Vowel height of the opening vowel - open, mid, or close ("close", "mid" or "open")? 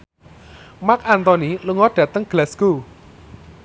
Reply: open